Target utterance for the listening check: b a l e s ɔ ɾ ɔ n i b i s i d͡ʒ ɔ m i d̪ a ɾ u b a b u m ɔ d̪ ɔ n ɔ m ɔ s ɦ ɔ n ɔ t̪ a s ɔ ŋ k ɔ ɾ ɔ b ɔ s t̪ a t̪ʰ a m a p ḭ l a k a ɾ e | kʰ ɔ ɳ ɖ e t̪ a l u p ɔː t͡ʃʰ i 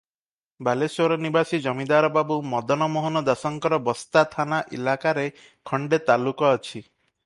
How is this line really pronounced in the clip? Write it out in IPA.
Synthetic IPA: b a l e s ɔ ɾ ɔ n i b a s i d͡ʒ ɔ m i d̪ a ɾ ɔ b a b u m ɔ d̪ ɔ n ɔ m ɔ ɦ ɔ n ɔ d̪ a s ɔ ŋ k ɔ ɾ ɔ b ɔ s t̪ a t̪ʰ a n a ʔ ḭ l a k a ɾ e | kʰ ɔ ɳ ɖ e t̪ a l u k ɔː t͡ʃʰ i